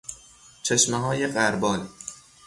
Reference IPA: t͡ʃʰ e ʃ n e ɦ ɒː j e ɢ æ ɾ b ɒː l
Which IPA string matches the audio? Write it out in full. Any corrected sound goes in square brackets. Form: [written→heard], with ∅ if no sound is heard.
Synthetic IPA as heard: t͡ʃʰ e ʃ [n→m] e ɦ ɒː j e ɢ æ ɾ b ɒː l